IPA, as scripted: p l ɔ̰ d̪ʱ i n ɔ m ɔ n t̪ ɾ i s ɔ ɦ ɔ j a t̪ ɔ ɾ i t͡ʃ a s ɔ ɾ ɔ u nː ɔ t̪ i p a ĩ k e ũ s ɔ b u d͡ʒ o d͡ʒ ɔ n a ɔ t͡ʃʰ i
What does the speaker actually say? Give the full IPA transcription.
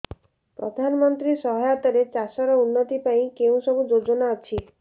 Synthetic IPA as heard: p ɾ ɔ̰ d̪ʱ a n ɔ m ɔ n t̪ ɾ i s ɔ ɦ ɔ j a t̪ ɔ ɾ e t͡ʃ a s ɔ ɾ ɔ u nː ɔ t̪ i p a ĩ k e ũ s ɔ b u d͡ʒ o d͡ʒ ɔ n a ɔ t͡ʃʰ i